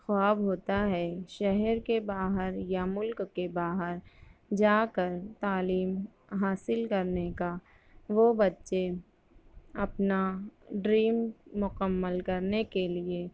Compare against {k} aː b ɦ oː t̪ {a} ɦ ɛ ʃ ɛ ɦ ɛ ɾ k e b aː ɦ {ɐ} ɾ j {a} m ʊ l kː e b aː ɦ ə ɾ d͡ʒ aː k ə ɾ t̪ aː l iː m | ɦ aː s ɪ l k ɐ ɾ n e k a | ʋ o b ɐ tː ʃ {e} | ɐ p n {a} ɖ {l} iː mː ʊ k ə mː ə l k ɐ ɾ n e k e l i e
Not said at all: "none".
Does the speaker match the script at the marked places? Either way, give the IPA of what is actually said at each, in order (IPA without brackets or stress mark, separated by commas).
x, a, ə, a, e, a, ɾ